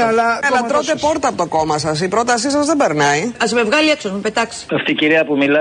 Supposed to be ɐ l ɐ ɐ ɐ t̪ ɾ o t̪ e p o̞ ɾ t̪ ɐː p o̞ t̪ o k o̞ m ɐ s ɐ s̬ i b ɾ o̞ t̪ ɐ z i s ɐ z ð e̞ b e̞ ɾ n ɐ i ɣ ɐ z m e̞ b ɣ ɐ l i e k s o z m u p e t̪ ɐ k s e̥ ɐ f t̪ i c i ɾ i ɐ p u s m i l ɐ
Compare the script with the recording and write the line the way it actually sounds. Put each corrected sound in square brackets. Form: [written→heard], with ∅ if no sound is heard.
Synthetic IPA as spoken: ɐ l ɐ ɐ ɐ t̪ ɾ o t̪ e p o̞ ɾ t̪ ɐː p o̞ t̪ o k o̞ m ɐ s ɐ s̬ i [b→p] ɾ o̞ t̪ ɐ [z→s] i s ɐ z ð e̞ b e̞ ɾ n ɐ i [ɣ→∅] ɐ z m e̞ [b→v] ɣ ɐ l i e k s o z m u p e t̪ ɐ k s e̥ ɐ f t̪ i c i ɾ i ɐ p u [s→∅] m i l ɐ